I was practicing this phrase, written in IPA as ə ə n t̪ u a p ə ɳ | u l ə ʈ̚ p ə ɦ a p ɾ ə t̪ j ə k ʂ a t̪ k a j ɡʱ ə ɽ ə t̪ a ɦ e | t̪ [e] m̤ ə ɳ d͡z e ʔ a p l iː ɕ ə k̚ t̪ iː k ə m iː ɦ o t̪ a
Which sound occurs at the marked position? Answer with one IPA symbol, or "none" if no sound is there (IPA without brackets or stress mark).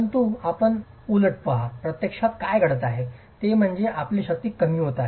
e